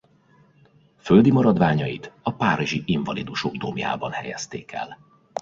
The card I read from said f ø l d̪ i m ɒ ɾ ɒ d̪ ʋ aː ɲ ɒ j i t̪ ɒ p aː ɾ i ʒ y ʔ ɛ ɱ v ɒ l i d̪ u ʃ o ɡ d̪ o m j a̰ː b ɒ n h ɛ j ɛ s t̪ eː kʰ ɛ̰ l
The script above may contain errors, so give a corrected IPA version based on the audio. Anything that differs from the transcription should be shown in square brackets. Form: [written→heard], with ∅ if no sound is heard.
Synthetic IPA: f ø l d̪ i m ɒ ɾ ɒ d̪ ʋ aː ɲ ɒ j i t̪ ɒ p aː ɾ i ʒ [y→i] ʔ [ɛ→i] ɱ v ɒ l i d̪ u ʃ o ɡ d̪ o m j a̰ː b ɒ n h ɛ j ɛ s t̪ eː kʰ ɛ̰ l